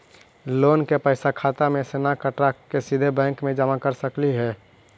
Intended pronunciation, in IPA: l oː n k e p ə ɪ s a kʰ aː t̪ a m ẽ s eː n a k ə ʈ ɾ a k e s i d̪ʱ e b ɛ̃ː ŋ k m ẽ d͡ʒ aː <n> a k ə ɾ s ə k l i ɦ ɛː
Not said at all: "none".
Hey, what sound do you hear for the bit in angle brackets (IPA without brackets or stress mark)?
m